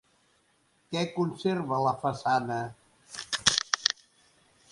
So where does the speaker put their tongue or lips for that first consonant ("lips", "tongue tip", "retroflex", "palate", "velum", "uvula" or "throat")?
velum